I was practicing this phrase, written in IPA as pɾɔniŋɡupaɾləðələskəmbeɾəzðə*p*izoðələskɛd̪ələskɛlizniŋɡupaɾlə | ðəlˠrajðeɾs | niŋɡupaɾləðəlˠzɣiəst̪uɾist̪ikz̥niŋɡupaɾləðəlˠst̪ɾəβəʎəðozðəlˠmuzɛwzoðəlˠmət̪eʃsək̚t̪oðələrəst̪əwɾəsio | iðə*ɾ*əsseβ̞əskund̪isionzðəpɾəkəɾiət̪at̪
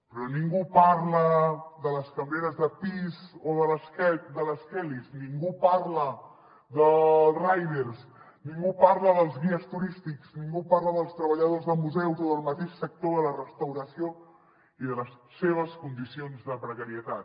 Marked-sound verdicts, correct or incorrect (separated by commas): correct, incorrect